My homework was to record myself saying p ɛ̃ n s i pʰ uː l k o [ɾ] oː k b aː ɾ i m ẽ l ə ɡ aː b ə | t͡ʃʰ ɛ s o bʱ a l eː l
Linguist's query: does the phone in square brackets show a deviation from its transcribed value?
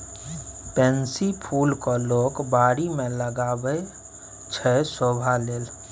yes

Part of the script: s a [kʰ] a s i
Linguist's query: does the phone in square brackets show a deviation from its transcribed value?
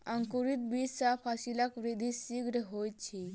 yes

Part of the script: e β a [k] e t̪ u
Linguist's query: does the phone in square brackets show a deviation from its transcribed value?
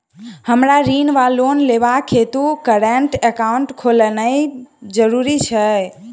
yes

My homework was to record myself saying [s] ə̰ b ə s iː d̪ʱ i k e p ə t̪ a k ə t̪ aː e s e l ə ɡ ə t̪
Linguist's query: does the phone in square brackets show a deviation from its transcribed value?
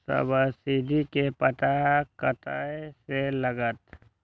no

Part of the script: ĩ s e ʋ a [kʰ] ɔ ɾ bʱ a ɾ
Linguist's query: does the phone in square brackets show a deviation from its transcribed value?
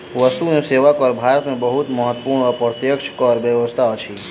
yes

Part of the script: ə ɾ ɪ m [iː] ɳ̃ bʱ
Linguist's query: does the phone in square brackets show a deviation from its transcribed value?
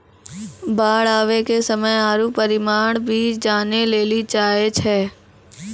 yes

